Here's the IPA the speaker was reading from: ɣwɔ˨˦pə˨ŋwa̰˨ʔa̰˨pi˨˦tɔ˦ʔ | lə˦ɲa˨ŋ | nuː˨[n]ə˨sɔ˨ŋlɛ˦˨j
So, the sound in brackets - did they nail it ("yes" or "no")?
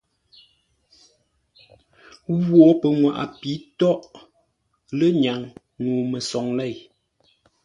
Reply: no